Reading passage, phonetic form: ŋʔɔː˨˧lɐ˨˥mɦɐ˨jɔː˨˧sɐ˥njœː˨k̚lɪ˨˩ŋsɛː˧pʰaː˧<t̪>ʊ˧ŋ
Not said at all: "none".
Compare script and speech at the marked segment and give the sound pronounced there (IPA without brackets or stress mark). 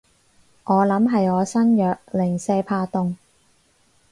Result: t̪